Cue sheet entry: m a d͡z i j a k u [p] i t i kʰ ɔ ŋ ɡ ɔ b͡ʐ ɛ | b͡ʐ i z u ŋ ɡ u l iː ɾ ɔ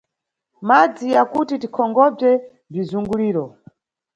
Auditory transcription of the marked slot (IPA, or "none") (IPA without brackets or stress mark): t